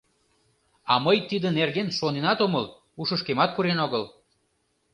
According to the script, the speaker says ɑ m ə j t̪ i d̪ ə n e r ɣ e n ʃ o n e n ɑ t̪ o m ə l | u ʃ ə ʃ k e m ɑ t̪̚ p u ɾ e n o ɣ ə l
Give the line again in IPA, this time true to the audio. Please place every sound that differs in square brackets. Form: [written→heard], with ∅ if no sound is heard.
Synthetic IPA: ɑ m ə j t̪ i d̪ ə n e r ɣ e n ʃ o n e n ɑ t̪ o m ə l | u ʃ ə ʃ k e m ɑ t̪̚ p u ɾ e n o ɣ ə l